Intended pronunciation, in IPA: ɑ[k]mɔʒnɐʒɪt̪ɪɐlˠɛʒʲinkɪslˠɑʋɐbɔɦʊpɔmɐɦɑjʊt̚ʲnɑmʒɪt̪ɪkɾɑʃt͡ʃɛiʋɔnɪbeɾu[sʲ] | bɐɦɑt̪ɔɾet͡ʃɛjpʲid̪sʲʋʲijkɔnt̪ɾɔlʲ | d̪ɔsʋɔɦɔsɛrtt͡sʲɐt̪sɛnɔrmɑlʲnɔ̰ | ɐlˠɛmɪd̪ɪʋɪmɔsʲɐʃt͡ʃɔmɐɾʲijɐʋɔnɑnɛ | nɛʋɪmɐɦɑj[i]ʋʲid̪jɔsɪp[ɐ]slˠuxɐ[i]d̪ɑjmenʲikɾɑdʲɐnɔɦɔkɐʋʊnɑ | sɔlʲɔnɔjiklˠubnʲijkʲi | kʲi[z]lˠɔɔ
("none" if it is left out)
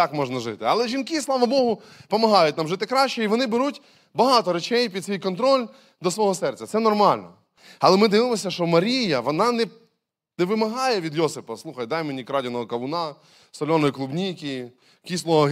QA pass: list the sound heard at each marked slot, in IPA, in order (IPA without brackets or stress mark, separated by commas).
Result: k, tʲ, ɛ, ɐ, j, s